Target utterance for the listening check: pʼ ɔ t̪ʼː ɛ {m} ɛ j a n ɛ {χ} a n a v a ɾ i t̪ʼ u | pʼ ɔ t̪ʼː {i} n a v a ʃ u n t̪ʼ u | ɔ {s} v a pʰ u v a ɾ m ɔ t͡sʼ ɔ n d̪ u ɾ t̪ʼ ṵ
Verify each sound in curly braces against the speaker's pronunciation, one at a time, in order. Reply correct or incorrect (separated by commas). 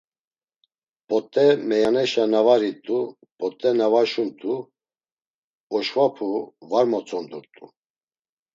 correct, incorrect, incorrect, incorrect